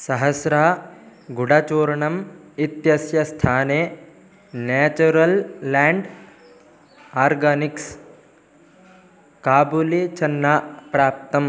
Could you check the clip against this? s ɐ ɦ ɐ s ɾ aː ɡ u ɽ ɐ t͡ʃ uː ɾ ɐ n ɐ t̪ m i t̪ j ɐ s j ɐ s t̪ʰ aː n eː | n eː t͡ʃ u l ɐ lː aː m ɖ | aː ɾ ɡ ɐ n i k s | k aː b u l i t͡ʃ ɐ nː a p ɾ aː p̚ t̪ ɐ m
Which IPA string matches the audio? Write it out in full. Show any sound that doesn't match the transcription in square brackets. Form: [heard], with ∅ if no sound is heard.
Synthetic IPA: s ɐ ɦ ɐ s ɾ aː ɡ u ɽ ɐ t͡ʃ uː ɾ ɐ [ɳ] ɐ [∅] m i t̪ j ɐ s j ɐ s t̪ʰ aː n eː | n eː t͡ʃ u [ɾ] ɐ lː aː [ɳ] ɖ | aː ɾ ɡ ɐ n i k s | k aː b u l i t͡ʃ ɐ nː a p ɾ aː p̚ t̪ ɐ m